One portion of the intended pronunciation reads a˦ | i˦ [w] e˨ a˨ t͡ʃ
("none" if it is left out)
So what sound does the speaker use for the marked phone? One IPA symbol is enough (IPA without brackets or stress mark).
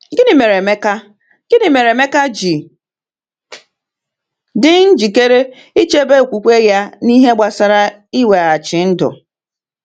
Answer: w